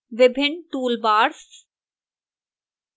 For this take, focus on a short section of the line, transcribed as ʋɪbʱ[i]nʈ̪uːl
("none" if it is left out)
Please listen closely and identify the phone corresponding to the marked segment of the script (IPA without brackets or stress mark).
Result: ɪ